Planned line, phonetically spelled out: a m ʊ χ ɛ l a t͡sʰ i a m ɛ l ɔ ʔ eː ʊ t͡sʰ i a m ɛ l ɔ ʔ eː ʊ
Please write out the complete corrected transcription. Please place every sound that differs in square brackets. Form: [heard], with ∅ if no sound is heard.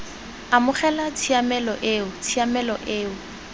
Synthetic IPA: a m ʊ χ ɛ l a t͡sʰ i a m ɛ l ɔ ʔ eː ʊ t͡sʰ i a m ɛ l ɔ ʔ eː ʊ